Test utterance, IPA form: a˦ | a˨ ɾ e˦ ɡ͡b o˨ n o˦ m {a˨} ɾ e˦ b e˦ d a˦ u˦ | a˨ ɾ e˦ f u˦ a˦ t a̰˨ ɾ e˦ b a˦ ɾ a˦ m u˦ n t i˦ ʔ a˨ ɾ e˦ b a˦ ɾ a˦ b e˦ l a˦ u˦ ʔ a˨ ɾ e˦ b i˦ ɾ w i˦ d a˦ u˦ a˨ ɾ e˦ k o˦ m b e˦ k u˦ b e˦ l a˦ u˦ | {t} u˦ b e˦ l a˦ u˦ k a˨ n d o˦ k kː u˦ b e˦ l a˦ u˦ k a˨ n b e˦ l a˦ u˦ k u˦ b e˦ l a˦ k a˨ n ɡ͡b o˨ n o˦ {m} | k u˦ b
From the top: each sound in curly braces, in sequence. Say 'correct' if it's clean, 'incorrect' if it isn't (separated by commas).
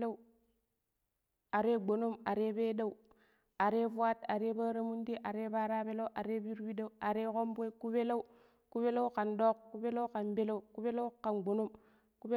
correct, incorrect, correct